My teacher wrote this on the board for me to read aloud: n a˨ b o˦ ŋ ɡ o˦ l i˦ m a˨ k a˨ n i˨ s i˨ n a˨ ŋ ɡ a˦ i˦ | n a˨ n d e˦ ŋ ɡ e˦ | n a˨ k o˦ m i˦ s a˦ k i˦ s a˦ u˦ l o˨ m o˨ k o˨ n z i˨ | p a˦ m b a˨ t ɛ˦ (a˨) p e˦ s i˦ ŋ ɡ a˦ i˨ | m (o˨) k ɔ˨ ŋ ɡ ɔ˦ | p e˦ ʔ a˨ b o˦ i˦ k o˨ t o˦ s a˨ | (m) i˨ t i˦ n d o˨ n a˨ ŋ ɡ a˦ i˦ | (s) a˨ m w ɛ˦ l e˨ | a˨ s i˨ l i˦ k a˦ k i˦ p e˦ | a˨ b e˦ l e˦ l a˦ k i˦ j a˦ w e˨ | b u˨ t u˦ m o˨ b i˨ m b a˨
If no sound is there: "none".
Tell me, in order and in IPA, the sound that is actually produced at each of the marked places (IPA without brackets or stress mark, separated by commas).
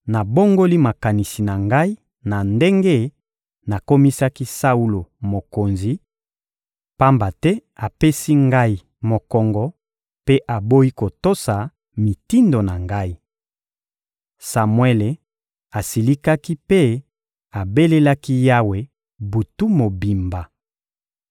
a˨, o˨, m, s